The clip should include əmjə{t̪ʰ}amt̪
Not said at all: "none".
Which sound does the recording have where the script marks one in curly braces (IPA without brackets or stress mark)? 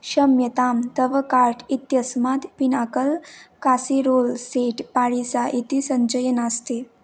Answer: t̪